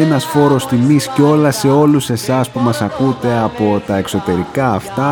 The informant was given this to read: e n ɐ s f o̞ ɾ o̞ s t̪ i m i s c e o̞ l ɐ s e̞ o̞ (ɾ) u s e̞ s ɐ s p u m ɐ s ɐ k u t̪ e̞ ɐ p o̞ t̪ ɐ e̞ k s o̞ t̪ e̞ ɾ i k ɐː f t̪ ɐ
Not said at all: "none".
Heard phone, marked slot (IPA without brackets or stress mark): l